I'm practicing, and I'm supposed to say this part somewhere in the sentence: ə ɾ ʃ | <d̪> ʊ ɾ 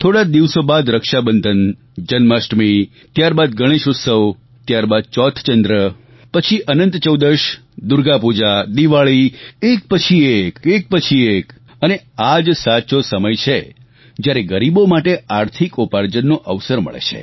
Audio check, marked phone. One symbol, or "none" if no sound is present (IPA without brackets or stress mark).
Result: d̪